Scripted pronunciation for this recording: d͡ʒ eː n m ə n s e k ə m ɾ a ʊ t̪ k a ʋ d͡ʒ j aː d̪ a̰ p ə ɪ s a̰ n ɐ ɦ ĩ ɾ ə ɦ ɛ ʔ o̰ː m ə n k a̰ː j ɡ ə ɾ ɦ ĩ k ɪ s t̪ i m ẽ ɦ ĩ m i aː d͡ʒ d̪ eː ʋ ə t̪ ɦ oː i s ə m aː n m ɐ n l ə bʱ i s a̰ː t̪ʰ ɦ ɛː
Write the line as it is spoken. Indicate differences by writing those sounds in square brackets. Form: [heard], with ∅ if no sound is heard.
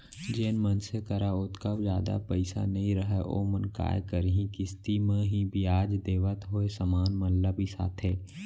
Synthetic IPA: d͡ʒ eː n m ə n s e k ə [∅] ɾ a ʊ t̪ k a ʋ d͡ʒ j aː d̪ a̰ p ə ɪ s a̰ n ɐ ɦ ĩ ɾ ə ɦ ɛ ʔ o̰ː m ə n k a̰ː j [k] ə ɾ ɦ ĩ k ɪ s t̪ i m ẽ ɦ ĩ [b] i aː d͡ʒ d̪ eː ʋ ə t̪ ɦ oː [e] s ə m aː n m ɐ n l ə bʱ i s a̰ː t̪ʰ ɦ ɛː